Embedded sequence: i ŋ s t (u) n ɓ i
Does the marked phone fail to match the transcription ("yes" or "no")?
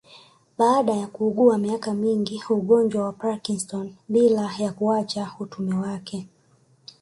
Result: yes